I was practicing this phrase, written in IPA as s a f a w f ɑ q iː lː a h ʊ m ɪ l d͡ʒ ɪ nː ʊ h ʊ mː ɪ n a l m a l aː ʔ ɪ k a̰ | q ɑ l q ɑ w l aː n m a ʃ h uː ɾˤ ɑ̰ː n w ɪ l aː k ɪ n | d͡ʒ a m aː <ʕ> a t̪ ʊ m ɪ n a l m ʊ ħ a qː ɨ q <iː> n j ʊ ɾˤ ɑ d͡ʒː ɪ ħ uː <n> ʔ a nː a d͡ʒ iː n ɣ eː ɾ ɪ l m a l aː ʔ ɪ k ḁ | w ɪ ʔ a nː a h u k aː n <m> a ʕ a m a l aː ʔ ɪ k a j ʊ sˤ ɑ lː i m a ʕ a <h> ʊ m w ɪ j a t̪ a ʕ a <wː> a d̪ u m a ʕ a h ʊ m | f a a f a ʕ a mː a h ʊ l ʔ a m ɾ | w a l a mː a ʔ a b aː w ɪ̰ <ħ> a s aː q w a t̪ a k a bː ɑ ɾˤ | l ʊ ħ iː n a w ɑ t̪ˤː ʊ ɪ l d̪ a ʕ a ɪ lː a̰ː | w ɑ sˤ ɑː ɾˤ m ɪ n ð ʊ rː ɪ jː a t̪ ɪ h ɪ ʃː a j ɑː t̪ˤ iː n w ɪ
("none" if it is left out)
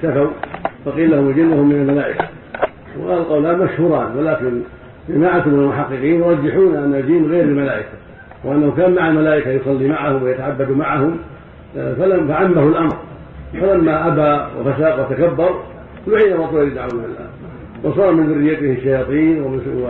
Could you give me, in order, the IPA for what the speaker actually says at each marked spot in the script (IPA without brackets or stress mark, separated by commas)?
ʕ, iː, n, m, h, bː, f